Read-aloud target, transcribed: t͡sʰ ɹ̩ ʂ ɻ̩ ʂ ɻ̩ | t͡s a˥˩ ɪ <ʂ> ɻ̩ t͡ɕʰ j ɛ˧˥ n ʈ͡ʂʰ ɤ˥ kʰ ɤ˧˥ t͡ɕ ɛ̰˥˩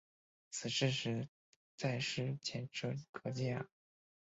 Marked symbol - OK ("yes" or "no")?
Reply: yes